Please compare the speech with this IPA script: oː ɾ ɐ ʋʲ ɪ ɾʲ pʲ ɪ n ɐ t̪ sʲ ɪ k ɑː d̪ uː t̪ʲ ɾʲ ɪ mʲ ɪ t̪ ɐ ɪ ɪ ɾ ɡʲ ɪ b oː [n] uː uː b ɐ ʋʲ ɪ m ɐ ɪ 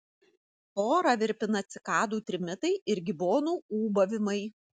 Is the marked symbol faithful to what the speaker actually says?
yes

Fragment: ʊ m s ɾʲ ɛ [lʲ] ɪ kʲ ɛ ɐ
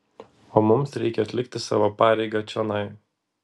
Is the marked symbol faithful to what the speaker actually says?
no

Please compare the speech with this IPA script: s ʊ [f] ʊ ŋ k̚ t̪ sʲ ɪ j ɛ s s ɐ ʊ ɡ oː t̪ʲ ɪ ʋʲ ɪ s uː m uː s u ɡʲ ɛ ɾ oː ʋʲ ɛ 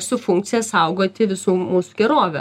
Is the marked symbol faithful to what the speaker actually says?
yes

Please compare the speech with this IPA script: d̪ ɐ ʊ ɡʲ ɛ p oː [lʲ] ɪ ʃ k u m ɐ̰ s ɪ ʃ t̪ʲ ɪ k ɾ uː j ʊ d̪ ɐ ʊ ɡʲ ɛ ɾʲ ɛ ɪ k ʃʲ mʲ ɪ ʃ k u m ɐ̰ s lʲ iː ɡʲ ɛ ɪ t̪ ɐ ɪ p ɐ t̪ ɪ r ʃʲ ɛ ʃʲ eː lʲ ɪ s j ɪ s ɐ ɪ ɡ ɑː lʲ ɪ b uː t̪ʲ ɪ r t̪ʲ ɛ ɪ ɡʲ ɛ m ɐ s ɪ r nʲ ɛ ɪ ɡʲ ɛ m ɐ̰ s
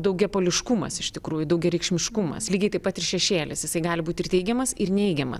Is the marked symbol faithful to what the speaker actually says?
yes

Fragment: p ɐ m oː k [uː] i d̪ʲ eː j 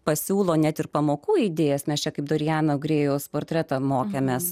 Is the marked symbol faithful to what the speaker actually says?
yes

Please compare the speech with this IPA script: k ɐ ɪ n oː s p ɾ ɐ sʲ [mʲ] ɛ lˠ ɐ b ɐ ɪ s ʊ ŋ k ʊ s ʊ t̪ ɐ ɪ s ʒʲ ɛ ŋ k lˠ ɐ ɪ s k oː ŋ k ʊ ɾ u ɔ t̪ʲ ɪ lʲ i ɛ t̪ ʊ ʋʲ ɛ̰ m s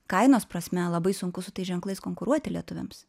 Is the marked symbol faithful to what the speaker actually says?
yes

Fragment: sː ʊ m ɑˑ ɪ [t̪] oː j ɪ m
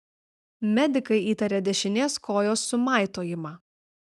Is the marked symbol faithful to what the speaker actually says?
yes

